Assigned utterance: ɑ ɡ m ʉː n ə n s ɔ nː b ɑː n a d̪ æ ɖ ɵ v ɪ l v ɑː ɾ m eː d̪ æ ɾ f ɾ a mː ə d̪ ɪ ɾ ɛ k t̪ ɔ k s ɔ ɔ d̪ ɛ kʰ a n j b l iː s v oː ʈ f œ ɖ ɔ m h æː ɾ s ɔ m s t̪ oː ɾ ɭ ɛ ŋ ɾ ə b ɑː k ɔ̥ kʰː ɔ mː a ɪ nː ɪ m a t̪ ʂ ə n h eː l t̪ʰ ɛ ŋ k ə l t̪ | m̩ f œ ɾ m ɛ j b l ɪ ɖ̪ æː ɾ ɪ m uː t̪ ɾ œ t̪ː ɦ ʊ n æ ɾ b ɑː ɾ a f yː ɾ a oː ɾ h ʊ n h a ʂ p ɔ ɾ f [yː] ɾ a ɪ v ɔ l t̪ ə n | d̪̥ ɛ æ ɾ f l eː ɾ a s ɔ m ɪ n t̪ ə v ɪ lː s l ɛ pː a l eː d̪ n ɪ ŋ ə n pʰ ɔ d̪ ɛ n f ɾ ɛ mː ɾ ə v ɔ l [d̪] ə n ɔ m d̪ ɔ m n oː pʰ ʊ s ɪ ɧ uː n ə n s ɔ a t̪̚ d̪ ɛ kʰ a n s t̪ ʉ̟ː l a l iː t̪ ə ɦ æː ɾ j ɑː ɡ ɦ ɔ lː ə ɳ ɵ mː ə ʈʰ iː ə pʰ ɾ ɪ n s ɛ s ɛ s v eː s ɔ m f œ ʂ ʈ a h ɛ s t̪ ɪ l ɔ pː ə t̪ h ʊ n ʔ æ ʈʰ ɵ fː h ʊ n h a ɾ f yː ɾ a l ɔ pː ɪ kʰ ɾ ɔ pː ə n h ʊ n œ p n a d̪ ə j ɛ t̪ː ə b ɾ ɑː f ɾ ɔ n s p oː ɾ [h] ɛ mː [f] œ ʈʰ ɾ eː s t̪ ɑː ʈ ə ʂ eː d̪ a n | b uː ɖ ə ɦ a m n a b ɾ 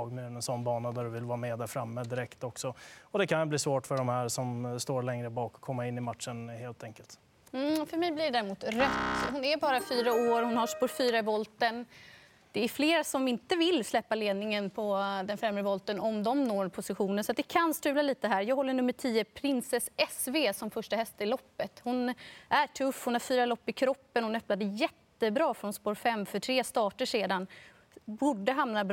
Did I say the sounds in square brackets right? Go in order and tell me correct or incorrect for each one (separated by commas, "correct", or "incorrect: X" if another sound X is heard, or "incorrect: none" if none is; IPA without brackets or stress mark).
correct, incorrect: t̪, incorrect: f, correct